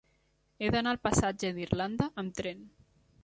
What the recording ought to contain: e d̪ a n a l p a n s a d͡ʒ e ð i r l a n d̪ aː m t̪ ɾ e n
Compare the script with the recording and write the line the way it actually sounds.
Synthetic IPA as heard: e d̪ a n a l p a s a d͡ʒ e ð i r l a n d̪ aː m t̪ ɾ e n